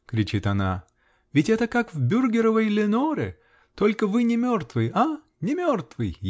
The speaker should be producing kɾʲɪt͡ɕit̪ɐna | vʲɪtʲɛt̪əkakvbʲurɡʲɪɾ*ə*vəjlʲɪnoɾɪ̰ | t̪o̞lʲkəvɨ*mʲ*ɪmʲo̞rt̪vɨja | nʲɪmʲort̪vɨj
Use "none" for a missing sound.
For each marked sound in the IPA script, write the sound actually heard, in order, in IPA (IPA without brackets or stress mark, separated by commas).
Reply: ə, nʲ